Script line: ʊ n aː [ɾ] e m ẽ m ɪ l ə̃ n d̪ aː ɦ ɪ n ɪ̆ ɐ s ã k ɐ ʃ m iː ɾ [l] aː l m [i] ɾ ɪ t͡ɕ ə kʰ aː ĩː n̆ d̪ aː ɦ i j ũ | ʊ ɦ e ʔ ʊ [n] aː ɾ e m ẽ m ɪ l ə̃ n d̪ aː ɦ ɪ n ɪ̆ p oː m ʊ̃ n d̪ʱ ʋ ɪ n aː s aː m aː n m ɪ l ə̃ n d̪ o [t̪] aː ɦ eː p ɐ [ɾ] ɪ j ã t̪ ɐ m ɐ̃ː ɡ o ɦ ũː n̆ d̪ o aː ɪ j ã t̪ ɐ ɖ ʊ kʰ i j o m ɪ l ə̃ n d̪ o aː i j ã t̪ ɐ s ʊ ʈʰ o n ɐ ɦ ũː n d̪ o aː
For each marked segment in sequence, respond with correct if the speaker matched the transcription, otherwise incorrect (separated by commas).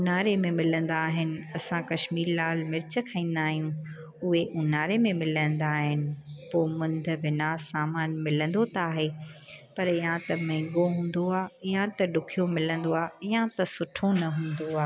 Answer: correct, correct, incorrect, correct, correct, correct